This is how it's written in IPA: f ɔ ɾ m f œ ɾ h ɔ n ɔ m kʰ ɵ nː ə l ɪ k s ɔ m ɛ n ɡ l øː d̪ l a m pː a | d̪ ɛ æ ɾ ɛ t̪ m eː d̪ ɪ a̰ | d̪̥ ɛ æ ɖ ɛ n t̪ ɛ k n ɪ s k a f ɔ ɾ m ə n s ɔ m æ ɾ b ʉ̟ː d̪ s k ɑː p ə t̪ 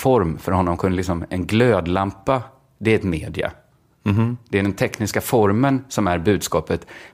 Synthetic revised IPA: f ɔ ɾ m f œ ɾ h ɔ nː ɔ m kʰ ɵ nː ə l ɪ k s ɔ m ɛ n ɡ l øː d̪ l a m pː a | d̪ ɛ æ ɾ ɛ t̪ m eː d̪ ɪ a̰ | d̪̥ ɛ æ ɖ ɛ n t̪ʰ ɛ k n ɪ s k a f ɔ ɾ m ə n s ɔ m æ ɾ b ʉ̟ː d̪ s k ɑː p ə t̪